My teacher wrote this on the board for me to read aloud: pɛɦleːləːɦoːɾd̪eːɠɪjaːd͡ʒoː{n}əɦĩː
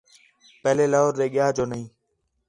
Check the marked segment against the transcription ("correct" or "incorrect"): correct